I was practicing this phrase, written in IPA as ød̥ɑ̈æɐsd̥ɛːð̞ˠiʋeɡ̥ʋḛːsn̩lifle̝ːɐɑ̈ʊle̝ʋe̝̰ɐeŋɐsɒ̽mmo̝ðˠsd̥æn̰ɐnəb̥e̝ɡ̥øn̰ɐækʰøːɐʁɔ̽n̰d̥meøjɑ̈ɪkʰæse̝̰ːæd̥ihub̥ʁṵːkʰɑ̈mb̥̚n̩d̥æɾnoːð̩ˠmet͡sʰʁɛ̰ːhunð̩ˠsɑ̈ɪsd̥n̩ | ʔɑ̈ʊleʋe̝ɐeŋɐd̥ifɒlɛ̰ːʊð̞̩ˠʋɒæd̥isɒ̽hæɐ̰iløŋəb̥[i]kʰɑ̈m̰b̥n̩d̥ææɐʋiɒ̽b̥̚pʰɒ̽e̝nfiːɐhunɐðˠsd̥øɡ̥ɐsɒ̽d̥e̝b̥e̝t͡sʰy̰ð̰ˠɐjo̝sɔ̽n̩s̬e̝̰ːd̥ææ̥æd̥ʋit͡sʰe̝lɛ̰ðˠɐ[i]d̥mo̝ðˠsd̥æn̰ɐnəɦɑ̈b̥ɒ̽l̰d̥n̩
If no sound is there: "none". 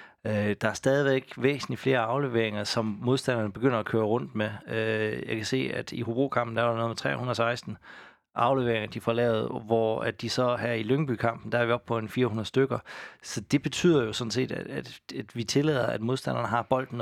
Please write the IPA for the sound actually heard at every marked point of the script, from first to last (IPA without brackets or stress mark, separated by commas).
y, æ